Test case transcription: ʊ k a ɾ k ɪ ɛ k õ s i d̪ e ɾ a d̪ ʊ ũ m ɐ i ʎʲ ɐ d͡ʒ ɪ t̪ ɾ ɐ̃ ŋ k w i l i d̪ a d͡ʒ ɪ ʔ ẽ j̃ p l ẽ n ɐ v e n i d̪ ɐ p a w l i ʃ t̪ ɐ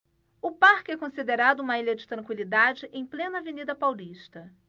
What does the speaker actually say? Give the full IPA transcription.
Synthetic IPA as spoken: ʊ p a ɾ k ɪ ɛ k õ s i d̪ e ɾ a d̪ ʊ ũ m ɐ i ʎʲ ɐ d͡ʒ ɪ t̪ ɾ ɐ̃ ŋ k w i l i d̪ a d͡ʒ ɪ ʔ ẽ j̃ p l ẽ n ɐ v e n i d̪ ɐ p a w l i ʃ t̪ ɐ